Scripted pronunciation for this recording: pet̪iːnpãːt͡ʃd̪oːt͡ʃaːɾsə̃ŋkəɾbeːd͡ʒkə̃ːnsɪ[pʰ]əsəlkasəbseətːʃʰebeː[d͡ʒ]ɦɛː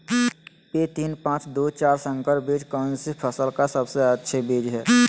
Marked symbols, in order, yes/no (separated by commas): yes, yes